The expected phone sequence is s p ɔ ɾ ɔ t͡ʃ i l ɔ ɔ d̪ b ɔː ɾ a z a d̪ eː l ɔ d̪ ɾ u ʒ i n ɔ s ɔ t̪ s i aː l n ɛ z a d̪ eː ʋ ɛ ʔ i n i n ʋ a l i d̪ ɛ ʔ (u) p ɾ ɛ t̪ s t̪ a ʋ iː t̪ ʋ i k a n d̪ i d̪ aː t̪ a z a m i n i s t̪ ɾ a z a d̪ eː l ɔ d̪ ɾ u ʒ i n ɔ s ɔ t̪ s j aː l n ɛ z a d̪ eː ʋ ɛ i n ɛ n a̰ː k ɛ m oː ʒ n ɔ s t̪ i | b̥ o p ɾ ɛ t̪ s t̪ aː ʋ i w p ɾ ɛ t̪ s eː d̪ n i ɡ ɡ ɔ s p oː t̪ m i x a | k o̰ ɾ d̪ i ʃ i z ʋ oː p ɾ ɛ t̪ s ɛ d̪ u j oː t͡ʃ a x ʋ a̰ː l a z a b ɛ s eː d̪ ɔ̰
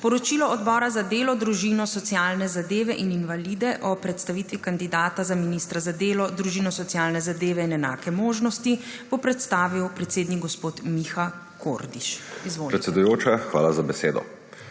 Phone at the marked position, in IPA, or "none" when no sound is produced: ɔ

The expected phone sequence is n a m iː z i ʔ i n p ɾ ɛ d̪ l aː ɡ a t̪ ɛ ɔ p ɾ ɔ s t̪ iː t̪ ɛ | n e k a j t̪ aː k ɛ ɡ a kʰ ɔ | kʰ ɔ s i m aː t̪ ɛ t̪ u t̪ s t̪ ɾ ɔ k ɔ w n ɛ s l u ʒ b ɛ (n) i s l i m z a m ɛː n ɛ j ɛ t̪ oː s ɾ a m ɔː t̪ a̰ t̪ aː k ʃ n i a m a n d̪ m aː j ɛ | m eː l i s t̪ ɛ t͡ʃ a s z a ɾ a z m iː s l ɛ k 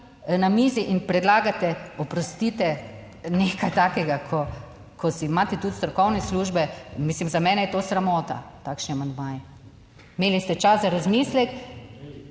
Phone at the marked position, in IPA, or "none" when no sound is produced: m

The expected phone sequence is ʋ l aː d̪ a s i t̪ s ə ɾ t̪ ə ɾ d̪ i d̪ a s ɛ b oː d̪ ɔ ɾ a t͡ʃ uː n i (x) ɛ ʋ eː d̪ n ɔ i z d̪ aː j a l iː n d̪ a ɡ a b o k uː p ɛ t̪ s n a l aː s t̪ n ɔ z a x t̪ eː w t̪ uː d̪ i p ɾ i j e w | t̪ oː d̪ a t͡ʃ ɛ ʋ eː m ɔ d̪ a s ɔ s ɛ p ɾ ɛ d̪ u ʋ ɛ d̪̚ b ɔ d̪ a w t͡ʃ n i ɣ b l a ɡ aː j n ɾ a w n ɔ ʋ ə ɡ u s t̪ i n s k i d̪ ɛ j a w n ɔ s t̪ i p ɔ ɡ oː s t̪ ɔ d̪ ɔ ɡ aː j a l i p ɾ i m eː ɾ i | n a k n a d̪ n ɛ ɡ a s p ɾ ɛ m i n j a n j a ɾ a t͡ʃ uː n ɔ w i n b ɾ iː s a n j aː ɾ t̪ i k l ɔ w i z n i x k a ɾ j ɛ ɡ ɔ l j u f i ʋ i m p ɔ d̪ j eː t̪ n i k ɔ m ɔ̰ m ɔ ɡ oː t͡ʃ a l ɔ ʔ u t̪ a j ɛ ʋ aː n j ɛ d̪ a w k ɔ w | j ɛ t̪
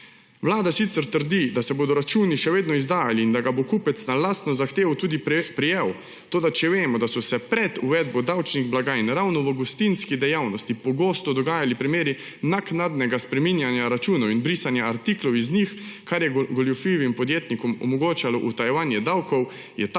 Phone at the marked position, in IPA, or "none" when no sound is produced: ʃ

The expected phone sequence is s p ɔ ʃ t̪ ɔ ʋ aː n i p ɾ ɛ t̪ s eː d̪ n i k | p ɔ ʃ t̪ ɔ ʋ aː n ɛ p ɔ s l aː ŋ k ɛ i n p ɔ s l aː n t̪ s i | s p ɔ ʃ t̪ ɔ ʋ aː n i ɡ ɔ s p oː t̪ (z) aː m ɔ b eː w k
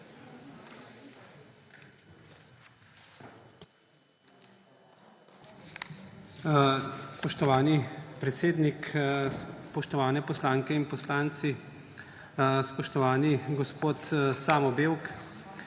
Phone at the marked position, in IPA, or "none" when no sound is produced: s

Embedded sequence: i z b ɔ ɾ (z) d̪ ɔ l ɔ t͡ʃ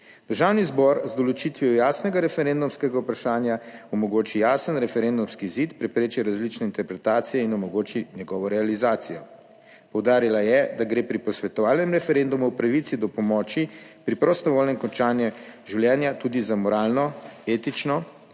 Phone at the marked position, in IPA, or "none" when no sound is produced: z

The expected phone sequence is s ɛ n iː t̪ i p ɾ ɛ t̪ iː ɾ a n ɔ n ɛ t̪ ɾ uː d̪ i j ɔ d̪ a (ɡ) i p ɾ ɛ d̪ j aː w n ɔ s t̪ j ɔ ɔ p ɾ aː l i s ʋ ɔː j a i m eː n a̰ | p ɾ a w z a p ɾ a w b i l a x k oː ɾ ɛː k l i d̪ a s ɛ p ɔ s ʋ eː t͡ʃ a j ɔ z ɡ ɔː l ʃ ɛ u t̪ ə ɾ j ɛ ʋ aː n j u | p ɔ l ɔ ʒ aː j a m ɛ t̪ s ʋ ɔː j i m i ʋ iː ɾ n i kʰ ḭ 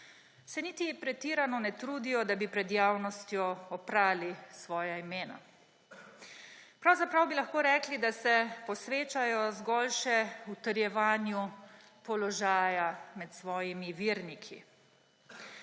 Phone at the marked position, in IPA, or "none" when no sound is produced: b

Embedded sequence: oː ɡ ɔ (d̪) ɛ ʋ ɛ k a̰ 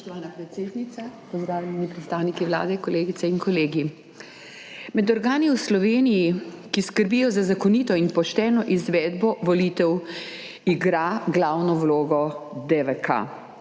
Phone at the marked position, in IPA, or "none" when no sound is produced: d̪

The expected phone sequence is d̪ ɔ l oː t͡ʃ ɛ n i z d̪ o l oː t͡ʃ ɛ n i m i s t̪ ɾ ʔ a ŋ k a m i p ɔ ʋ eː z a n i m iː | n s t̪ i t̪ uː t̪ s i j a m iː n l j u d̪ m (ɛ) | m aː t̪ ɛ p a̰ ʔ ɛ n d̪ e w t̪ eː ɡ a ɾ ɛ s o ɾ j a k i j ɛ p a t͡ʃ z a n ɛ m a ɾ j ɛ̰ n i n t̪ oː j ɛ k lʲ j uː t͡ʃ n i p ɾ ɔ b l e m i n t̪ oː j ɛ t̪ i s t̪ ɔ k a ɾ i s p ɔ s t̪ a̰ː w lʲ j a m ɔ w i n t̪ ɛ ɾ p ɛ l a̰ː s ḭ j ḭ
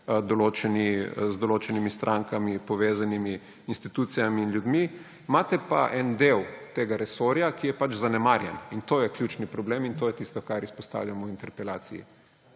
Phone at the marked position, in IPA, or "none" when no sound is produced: i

